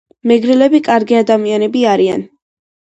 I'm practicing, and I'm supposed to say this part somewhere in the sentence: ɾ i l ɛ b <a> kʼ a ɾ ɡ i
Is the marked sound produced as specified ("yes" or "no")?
no